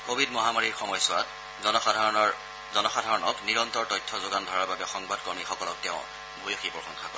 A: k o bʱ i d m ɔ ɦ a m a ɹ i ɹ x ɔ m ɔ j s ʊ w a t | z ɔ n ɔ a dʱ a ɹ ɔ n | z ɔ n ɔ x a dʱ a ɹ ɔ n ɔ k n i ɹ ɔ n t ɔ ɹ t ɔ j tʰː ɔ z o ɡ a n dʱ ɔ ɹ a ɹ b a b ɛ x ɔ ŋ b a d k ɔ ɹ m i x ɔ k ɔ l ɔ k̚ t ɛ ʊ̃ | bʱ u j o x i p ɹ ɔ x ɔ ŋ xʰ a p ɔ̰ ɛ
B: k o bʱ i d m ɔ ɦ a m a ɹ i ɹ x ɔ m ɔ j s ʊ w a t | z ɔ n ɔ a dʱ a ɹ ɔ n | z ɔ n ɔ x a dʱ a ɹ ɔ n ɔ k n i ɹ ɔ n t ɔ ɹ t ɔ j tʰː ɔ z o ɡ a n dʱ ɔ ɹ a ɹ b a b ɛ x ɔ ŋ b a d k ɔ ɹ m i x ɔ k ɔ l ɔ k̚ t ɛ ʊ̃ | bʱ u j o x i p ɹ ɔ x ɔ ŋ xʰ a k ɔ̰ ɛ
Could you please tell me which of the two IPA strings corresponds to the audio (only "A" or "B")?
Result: B